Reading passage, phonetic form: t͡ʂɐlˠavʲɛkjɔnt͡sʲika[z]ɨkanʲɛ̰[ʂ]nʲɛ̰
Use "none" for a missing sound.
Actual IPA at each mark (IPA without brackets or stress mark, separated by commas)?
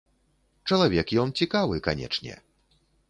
v, t͡ʂ